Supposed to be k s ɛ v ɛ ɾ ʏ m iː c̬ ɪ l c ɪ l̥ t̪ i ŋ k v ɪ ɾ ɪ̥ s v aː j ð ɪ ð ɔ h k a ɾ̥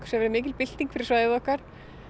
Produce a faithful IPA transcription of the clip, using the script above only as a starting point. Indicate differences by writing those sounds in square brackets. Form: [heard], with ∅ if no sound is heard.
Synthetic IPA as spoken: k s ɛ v ɛ ɾ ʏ m [ɪː] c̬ ɪ l [p] ɪ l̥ t̪ i ŋ k [f] ɪ ɾ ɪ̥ s v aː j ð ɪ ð ɔ h k a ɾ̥